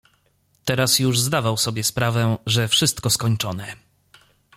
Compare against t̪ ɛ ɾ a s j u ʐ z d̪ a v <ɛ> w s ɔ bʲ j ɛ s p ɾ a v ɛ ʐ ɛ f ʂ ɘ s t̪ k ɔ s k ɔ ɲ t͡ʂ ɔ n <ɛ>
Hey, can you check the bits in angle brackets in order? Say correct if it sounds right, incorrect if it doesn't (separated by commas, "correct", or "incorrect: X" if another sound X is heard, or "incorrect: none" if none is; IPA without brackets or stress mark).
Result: incorrect: a, correct